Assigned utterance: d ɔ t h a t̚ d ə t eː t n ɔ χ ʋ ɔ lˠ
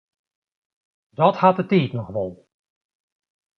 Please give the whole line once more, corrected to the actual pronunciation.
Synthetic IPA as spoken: d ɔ t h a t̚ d ə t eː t n ɔ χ ʋ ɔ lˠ